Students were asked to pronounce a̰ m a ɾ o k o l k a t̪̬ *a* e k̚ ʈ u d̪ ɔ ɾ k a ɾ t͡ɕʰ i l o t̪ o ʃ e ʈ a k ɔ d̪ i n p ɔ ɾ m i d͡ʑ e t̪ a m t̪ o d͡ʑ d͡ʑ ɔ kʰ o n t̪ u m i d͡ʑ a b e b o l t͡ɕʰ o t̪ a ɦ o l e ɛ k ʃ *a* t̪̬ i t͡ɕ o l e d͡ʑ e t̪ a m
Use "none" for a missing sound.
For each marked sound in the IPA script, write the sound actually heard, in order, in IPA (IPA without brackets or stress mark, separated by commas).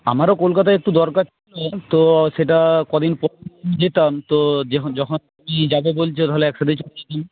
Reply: a, a